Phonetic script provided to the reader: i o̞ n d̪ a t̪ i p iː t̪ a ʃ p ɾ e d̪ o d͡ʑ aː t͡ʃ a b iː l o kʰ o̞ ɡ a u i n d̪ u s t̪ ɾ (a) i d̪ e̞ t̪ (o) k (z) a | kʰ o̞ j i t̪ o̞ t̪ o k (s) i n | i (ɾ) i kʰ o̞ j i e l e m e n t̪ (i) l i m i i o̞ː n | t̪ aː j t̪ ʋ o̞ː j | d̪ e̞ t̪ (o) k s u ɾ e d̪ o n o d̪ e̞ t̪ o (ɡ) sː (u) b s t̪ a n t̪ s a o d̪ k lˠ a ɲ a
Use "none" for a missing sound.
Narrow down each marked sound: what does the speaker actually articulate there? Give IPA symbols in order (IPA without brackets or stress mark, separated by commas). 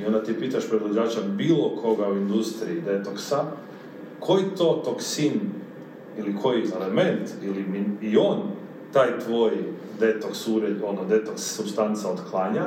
i, o, s, s, l, i, o, k, u